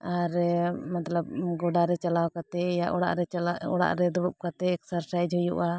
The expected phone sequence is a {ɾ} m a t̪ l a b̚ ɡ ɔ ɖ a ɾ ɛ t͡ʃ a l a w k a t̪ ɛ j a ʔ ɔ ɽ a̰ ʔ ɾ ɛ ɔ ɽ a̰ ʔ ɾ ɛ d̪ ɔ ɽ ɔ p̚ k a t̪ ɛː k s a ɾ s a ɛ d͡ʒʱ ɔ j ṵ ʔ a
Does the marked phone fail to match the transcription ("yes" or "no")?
no